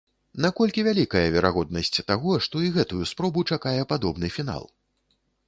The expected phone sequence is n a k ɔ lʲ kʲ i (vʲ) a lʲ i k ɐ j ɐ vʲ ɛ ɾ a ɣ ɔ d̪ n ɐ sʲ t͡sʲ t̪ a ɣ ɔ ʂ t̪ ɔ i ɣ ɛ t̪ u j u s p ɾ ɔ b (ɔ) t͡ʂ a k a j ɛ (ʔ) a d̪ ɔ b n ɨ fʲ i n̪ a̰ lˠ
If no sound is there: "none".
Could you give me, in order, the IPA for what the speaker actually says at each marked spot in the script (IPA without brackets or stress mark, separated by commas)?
vʲ, u, p